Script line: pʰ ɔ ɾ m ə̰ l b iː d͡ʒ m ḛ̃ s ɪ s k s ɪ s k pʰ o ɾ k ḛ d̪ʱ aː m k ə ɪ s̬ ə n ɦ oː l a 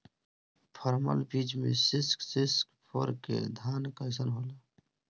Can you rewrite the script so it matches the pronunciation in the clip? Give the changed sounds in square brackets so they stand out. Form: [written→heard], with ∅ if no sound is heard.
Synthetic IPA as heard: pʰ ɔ ɾ m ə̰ l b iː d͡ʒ m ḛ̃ s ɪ s k s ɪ s k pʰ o ɾ k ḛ d̪ʱ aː [m→n] k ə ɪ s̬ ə n ɦ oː l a